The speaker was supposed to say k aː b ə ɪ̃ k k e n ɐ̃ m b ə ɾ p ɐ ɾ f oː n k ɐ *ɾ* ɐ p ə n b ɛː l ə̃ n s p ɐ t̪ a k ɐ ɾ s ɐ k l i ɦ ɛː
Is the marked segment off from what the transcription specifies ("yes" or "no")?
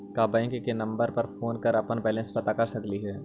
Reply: no